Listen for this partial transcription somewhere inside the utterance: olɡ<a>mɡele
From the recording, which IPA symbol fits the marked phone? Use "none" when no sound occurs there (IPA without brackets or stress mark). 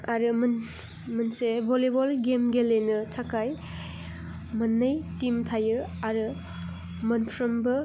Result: e